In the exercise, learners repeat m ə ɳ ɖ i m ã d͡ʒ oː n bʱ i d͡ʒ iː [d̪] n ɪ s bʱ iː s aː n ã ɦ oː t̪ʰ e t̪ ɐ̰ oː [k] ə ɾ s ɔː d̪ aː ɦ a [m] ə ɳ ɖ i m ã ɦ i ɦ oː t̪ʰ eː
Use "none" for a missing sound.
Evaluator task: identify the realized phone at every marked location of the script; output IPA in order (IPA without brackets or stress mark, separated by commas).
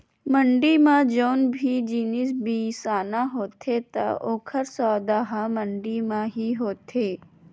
none, kʰ, m